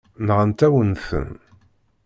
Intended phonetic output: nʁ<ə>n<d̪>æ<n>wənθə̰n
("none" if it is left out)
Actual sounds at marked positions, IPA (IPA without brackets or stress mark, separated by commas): ə, t̪, none